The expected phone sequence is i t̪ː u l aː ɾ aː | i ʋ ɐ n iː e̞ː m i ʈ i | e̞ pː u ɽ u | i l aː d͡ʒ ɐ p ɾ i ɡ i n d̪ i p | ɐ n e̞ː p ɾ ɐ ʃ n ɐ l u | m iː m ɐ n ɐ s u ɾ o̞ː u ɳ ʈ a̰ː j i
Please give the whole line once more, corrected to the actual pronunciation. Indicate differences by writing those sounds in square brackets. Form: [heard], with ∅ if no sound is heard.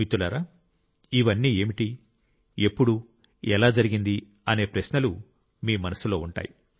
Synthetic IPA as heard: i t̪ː u l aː ɾ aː | i ʋ ɐ [nː] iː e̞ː m i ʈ i | e̞ pː u ɽ u | [ɛ] l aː d͡ʒ ɐ [∅] ɾ i ɡ i n d̪ i [∅] | ɐ n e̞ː p ɾ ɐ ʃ n ɐ l u | m iː m ɐ n ɐ s u [l] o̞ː u ɳ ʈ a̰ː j i